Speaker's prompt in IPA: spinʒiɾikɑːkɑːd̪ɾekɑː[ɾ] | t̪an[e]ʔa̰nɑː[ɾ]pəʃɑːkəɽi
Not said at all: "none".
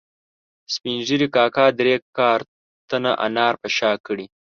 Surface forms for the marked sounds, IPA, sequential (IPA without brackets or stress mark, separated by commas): ɾ, a, ɾ